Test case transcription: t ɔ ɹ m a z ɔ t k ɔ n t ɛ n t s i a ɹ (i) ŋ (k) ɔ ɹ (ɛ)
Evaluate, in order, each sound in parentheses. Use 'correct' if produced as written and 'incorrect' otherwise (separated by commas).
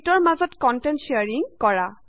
correct, correct, incorrect